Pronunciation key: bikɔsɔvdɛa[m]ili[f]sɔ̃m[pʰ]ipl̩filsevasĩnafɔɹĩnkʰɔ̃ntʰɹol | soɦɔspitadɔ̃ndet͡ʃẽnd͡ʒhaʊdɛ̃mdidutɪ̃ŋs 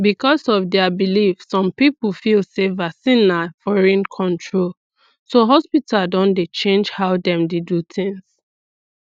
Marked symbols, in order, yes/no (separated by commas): no, yes, no